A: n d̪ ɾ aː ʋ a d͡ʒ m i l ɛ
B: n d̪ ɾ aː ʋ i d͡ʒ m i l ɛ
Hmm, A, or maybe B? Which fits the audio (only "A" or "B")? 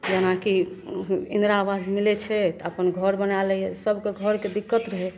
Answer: A